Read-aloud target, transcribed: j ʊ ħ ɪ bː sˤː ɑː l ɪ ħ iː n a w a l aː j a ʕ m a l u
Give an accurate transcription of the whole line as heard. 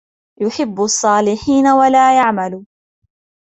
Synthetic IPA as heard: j ʊ ħ ɪ bː sˤː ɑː l ɪ ħ iː n a w a l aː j a ʕ m a l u